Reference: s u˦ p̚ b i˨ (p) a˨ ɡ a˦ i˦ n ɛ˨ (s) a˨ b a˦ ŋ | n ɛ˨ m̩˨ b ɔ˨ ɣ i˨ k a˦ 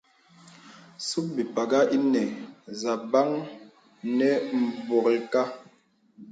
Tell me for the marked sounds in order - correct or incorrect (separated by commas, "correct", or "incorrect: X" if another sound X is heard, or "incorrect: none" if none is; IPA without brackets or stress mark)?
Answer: correct, incorrect: z